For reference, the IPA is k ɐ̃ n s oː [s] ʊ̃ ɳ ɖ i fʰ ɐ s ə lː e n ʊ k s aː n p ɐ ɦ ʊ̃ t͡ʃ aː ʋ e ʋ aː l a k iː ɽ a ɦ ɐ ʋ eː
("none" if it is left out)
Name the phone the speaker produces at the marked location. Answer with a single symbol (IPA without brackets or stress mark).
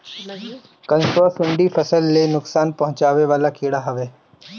s